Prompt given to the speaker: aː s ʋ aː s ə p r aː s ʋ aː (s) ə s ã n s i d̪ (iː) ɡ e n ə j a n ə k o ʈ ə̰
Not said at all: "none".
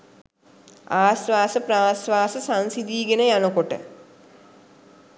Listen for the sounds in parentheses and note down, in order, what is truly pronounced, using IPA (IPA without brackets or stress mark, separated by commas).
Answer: s, iː